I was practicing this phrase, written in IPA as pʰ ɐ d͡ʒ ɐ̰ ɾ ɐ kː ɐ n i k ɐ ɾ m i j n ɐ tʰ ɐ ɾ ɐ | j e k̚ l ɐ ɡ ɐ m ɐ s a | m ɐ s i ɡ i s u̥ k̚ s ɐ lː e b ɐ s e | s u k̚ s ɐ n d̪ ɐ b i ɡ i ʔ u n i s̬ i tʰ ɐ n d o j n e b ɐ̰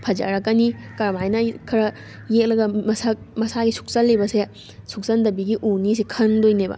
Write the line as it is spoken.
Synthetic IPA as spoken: pʰ ɐ d͡ʒ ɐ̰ ɾ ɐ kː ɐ n i k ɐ ɾ m a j n ɐ kʰ ɐ ɾ ɐ | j e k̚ l ɐ ɡ ɐ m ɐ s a | m ɐ s a ɡ i s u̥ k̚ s ɐ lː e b ɐ s e | s u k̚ s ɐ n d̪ ɐ b i ɡ i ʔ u n i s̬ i kʰ ɐ n d o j n e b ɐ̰